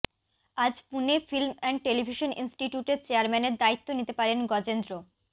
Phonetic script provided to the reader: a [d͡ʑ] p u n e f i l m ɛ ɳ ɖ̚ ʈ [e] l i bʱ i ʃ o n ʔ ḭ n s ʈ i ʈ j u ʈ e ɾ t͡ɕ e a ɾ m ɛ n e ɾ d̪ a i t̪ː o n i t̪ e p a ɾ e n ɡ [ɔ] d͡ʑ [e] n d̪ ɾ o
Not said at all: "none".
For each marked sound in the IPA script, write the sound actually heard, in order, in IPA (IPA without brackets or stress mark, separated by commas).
d͡ʑ, e, ɔ, e